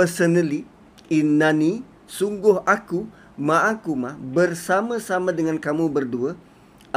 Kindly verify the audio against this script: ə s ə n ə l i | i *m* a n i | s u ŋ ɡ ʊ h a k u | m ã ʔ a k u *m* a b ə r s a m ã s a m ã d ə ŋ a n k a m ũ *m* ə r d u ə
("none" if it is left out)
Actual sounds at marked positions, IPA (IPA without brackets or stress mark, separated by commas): n, m, b